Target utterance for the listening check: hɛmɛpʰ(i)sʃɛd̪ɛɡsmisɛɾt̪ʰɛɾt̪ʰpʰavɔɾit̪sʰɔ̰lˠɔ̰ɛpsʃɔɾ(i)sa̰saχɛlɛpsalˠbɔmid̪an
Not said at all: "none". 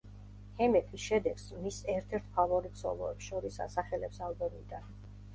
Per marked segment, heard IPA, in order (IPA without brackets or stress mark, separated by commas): i, i